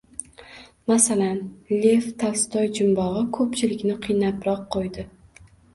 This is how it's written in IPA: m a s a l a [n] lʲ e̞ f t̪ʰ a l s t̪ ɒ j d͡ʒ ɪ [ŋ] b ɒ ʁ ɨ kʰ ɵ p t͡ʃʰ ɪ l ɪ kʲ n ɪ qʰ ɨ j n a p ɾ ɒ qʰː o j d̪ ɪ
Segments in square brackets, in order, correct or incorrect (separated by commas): correct, incorrect